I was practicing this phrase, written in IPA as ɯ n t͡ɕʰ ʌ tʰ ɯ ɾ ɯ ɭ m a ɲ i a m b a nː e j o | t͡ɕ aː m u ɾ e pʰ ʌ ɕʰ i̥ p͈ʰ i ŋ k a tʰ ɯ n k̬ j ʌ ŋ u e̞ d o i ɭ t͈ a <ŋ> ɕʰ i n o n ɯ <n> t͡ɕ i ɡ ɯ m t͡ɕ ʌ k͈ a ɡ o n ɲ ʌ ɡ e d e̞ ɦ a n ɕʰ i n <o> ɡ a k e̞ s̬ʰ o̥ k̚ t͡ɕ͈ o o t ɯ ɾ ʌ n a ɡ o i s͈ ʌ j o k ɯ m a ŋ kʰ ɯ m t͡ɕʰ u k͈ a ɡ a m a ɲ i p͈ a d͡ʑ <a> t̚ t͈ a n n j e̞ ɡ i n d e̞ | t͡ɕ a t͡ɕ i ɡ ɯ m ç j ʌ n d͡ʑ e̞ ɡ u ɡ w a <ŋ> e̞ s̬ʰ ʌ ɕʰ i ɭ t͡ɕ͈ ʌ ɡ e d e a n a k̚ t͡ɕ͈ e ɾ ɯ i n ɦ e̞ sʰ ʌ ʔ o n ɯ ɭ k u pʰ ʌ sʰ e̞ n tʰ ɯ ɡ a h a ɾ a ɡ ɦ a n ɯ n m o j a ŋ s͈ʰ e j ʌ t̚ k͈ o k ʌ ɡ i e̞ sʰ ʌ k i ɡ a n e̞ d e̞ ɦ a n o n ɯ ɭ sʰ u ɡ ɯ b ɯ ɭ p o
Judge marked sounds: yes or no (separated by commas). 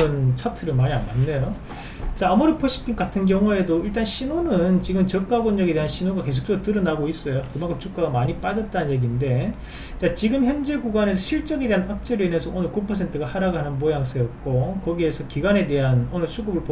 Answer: no, yes, yes, no, no